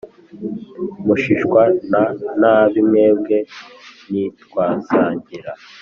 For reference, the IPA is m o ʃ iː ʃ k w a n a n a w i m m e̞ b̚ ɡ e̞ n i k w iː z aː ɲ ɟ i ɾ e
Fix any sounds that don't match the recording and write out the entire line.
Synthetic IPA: m u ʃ i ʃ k w a n a n a β i m ŋ e̞ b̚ ɡ e̞ n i t w aː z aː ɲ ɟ i ɾ a